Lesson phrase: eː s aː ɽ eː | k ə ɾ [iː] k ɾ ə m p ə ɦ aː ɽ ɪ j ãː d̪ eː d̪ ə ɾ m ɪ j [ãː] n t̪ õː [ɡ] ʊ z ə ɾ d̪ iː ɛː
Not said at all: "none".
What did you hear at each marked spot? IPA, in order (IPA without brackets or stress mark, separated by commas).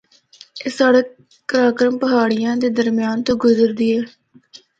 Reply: aː, aː, ɡ